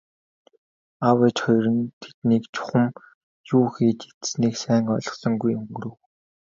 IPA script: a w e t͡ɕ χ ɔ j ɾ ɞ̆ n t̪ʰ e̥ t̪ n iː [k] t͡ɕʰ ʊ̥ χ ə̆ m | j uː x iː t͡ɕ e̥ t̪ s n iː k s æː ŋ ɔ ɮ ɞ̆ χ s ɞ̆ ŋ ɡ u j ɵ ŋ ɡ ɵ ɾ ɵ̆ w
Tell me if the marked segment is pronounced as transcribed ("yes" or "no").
yes